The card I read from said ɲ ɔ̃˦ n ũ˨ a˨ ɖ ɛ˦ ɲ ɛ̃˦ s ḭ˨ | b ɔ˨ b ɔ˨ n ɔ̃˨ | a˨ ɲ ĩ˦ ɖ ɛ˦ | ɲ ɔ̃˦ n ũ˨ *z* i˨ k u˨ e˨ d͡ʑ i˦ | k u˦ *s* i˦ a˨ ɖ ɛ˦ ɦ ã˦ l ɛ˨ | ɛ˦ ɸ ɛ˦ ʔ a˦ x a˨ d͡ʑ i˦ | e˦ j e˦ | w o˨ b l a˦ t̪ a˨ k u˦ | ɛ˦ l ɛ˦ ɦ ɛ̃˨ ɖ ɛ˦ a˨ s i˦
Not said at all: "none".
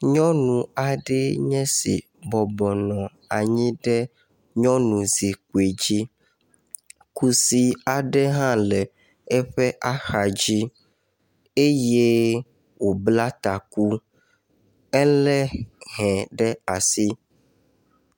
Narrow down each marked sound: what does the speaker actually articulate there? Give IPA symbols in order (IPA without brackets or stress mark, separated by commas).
z, s